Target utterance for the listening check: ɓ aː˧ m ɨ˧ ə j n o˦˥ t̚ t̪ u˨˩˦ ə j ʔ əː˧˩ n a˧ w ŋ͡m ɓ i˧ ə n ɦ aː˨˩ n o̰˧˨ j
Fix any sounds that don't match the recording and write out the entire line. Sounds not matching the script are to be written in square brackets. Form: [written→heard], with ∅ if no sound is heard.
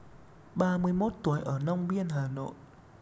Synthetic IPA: ɓ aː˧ m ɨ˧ ə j [n→m] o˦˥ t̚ t̪ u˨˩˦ ə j ʔ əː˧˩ n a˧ w ŋ͡m ɓ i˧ ə n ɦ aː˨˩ n o̰˧˨ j